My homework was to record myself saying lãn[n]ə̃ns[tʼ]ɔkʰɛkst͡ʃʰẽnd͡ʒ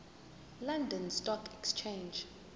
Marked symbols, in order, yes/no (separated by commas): no, no